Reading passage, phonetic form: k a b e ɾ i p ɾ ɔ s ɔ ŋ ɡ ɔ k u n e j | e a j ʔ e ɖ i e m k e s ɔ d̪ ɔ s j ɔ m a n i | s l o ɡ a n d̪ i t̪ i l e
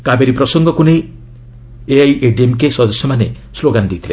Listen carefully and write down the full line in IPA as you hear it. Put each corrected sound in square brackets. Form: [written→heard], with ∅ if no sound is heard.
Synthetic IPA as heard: k a b e ɾ i p ɾ ɔ s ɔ ŋ ɡ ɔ k u n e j | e a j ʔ e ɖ i e m k e s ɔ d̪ ɔ s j ɔ m a n [i→e] | s l o ɡ a n d̪ i [t̪→t̪ʰ] i l e

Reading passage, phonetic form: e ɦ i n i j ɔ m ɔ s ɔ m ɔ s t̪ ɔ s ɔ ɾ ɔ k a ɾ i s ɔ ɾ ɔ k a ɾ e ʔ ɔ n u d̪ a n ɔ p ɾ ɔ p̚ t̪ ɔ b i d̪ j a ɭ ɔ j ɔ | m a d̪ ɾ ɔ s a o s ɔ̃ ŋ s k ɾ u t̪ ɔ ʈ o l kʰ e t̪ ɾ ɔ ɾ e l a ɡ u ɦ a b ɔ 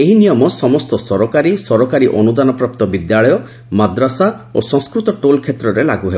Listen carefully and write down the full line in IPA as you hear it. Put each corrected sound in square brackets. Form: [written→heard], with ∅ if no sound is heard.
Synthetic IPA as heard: e ɦ i n i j ɔ m ɔ s ɔ m ɔ s t̪ ɔ s ɔ ɾ ɔ k a ɾ i s ɔ ɾ ɔ k a ɾ [e→i] ʔ ɔ n u d̪ a n ɔ p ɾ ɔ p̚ t̪ ɔ b i d̪ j a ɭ ɔ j ɔ | m a d̪ ɾ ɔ s a o s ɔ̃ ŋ s k ɾ u t̪ ɔ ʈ o l kʰ e t̪ ɾ ɔ ɾ e l a ɡ u ɦ [a→e] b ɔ

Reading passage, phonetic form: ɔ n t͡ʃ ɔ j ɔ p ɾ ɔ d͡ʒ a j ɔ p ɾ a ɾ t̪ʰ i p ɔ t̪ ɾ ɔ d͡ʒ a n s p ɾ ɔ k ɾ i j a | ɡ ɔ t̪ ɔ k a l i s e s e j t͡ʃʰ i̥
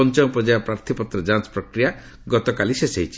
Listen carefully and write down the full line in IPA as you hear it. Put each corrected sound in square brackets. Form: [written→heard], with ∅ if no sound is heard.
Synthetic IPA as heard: ɔ n t͡ʃ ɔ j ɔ p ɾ ɔ d͡ʒ a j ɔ p ɾ a ɾ t̪ʰ i p ɔ t̪ ɾ ɔ d͡ʒ a n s p ɾ ɔ k ɾ i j a | ɡ ɔ t̪ ɔ k a l i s e s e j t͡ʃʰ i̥

